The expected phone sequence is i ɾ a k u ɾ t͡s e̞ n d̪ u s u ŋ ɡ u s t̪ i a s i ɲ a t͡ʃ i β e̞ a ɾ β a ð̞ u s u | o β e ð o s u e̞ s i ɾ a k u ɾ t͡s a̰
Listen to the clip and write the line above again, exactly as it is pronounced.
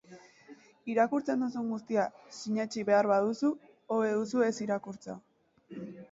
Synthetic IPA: i ɾ a k u ɾ t͡s e̞ n d̪ u s u ŋ ɡ u s t̪ i a s i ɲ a t͡ʃ i β e̞ a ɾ β a ð̞ u s u | o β e ð u s u e̞ s i ɾ a k u ɾ t͡s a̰